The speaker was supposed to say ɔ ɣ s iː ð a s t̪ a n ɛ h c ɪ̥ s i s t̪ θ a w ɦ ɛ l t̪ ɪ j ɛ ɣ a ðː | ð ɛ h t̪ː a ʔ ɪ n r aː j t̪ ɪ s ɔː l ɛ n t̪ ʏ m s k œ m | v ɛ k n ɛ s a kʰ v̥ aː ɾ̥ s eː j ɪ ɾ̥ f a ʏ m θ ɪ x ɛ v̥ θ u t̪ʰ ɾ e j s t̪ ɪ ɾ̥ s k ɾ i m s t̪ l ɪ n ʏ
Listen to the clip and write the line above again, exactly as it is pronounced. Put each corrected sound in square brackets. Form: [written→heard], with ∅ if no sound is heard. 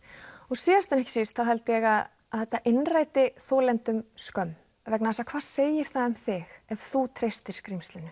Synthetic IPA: ɔ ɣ s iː ð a s t̪ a n ɛ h c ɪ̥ s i s t̪ θ a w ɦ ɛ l t̪ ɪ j ɛ ɣ a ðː | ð ɛ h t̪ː a ʔ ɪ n r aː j t̪ ɪ [s→θ] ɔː l ɛ n t̪ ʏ m s k œ m | v ɛ k n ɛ s a kʰ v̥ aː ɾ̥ s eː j ɪ ɾ̥ [f→θ] a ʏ m θ ɪ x ɛ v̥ θ u t̪ʰ ɾ e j s t̪ ɪ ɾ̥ s k ɾ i m s t̪ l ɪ n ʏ